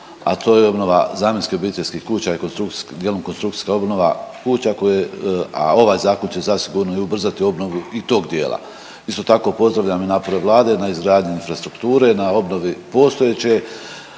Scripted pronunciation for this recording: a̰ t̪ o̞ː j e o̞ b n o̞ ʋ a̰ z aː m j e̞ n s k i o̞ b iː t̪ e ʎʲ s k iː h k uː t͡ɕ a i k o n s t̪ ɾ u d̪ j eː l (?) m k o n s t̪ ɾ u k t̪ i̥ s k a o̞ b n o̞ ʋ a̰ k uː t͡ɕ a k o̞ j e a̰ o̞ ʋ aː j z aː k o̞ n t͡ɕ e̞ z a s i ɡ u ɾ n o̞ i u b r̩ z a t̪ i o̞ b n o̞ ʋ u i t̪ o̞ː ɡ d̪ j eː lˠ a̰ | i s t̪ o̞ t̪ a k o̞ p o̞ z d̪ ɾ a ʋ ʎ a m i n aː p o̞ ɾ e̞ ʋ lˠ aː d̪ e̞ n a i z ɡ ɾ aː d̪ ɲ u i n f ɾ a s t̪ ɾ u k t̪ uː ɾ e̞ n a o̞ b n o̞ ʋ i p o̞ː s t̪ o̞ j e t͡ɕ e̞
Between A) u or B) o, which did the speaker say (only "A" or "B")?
B